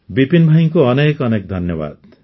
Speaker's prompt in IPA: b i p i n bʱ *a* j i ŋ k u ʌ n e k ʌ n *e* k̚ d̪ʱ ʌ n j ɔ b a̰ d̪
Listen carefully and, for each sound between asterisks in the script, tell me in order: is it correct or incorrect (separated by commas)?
correct, correct